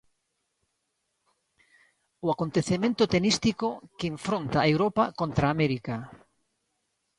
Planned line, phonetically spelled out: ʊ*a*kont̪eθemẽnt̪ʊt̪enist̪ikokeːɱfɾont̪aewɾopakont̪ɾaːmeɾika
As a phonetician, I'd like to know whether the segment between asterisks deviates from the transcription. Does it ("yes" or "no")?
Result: no